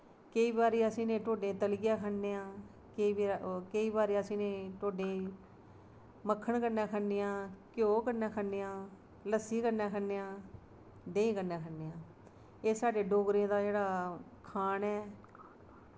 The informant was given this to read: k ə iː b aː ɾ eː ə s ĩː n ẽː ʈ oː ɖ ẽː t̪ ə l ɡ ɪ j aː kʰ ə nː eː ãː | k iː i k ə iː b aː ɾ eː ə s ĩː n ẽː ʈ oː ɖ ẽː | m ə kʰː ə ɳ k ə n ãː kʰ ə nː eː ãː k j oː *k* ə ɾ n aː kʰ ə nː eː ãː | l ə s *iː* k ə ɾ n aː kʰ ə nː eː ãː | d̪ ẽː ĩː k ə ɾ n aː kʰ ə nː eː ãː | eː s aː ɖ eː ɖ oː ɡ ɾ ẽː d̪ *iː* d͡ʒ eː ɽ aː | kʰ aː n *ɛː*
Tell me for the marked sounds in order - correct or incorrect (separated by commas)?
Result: correct, correct, incorrect, correct